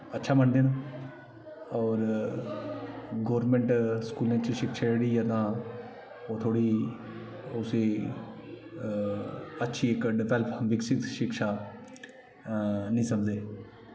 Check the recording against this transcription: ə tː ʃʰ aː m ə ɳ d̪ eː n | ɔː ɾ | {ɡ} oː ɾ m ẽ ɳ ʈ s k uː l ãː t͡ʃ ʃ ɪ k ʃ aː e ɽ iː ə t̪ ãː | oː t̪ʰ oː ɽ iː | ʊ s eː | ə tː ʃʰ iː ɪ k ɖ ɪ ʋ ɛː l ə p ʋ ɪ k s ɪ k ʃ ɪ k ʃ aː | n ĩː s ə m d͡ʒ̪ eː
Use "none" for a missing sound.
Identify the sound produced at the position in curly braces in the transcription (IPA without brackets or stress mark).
ɡ